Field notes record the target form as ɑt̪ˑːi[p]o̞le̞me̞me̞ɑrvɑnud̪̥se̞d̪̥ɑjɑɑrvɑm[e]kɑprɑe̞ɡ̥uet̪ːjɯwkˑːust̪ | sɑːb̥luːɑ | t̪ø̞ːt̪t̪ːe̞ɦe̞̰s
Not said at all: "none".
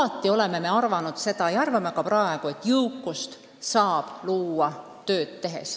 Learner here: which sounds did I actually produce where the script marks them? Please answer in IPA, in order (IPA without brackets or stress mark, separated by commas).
none, e